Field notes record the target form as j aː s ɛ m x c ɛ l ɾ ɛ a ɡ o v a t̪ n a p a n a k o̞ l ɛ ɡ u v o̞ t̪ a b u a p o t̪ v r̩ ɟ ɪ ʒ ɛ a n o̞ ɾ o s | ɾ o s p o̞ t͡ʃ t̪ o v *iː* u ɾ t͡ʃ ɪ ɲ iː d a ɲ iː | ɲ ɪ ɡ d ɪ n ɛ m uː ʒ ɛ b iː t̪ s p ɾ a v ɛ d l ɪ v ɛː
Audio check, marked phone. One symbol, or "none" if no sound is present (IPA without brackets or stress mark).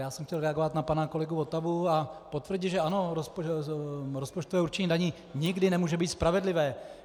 ɛː